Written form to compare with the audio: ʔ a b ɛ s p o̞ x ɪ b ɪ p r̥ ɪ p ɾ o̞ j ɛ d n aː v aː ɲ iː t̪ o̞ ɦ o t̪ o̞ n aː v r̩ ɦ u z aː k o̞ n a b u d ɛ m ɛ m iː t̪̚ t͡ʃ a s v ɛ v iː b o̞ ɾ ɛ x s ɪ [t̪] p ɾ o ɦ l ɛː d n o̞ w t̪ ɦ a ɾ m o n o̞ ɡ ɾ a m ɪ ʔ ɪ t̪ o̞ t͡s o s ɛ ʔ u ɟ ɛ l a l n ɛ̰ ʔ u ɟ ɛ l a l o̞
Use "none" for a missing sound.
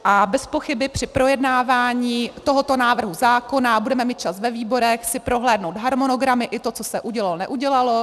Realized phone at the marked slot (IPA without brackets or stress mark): none